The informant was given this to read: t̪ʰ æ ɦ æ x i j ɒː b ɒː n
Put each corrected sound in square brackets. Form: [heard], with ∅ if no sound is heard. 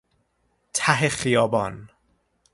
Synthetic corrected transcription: t̪ʰ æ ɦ [e] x i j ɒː b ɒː n